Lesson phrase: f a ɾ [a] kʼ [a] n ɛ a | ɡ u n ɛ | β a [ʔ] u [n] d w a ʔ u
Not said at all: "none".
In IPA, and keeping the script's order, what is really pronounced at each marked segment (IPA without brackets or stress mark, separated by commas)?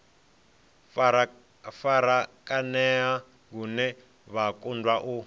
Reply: a, a, k, n